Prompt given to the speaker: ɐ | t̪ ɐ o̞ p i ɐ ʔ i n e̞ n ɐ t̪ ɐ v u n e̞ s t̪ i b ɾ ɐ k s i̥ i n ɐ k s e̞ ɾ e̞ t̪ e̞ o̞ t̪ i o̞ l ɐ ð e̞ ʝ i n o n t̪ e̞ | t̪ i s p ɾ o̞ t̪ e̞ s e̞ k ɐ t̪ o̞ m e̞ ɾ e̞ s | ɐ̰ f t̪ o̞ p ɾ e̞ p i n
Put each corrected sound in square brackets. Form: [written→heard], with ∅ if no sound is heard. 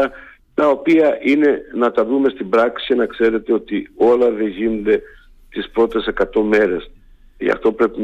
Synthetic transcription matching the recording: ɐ | t̪ ɐ o̞ p i ɐ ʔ i n e̞ n ɐ t̪ ɐ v u [n→m] e̞ s t̪ i b ɾ ɐ k s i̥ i n ɐ k s e̞ ɾ e̞ t̪ e̞ o̞ t̪ i o̞ l ɐ ð e̞ ʝ i n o n [t̪→d̪] e̞ | t̪ i s p ɾ o̞ t̪ e̞ s e̞ k ɐ t̪ o̞ m e̞ ɾ e̞ s | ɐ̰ f t̪ o̞ p ɾ e̞ p i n